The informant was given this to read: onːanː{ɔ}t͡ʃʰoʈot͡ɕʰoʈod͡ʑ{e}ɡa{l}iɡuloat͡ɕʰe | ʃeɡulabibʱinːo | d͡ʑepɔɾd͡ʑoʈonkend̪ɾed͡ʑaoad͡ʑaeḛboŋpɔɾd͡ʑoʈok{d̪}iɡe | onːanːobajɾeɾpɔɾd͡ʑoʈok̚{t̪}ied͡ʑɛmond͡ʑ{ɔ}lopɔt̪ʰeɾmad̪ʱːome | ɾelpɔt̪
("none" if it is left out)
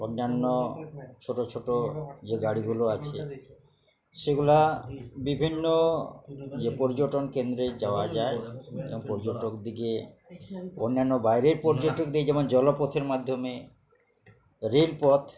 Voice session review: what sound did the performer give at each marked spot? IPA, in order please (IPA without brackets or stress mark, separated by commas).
o, e, ɽ, d̪, d̪, ɔ